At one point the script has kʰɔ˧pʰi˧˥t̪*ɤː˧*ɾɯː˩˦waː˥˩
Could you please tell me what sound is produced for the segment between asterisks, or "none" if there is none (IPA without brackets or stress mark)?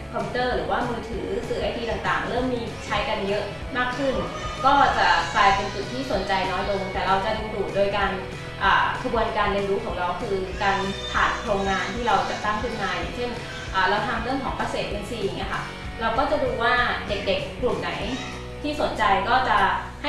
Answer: ɤː˥˩